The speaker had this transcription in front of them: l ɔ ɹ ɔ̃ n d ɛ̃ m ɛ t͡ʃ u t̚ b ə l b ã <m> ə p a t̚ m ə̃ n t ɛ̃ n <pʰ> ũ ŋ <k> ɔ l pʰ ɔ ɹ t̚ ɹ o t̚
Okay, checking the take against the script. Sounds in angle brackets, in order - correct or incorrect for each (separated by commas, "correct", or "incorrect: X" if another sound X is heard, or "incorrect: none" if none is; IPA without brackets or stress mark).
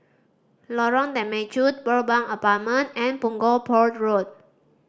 incorrect: ŋ, incorrect: p, incorrect: ɡ